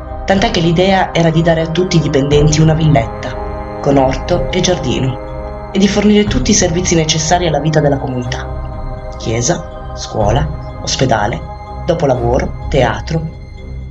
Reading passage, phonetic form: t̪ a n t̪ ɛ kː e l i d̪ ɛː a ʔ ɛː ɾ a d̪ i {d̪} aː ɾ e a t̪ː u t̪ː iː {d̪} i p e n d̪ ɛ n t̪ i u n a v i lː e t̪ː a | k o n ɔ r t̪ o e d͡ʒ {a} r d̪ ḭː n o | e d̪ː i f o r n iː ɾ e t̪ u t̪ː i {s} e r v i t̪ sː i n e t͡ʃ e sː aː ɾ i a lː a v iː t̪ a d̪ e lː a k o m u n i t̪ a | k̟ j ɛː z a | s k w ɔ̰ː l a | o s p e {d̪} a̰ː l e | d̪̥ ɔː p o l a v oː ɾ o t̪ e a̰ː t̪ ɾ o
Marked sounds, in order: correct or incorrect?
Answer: correct, correct, correct, correct, correct

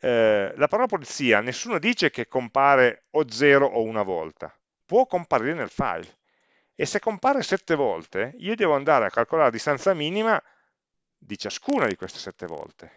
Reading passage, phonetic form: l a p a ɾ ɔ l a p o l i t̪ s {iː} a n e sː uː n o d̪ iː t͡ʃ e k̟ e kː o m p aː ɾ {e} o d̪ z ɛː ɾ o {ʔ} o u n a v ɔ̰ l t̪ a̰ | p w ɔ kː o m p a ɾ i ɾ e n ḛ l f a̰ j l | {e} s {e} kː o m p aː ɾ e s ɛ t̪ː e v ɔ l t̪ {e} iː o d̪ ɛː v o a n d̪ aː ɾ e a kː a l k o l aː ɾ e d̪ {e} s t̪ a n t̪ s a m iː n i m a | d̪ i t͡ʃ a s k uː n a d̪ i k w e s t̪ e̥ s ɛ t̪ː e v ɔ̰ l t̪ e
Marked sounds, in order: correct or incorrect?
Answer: correct, correct, correct, correct, correct, correct, incorrect

